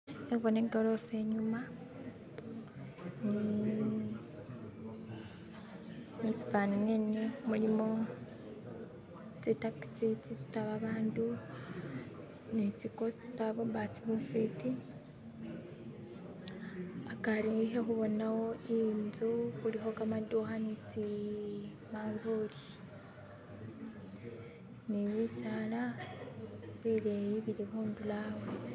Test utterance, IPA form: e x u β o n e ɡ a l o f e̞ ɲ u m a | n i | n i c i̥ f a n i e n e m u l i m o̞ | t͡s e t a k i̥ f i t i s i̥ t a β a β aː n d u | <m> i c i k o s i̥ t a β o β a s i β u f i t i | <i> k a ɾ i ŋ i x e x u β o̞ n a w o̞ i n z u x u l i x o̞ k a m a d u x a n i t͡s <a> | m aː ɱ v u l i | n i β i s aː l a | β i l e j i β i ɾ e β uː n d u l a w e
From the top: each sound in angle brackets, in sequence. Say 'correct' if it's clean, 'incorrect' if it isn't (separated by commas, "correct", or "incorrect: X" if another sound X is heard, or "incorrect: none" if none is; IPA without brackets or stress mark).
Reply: incorrect: n, incorrect: a, incorrect: i